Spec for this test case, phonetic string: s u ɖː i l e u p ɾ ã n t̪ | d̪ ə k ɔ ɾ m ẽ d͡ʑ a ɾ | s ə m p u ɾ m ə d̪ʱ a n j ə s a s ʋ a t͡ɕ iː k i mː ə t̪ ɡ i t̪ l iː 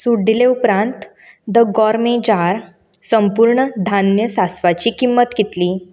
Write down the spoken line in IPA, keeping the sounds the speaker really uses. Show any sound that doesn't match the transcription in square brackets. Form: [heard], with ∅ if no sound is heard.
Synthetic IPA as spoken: s u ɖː i l e u p ɾ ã n t̪ | d̪ ə [ɡ] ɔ ɾ m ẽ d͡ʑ a ɾ | s ə m p u ɾ [ɳ] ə d̪ʱ a n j ə s a s ʋ a t͡ɕ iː k i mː ə t̪ ɡ i t̪ l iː